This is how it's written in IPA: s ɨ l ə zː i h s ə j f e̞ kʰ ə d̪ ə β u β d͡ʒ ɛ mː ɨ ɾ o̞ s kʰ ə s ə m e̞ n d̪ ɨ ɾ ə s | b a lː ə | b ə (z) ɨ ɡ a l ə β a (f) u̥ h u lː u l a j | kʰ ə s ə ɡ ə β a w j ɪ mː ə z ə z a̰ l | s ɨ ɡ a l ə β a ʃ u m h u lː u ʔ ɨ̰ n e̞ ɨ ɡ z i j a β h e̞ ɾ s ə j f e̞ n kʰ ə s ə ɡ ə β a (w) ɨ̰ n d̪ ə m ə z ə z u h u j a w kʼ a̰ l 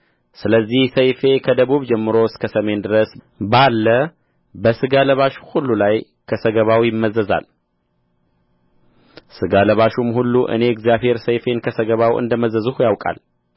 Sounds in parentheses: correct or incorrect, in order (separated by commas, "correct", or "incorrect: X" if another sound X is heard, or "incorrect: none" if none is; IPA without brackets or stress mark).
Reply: incorrect: s, incorrect: ʃ, correct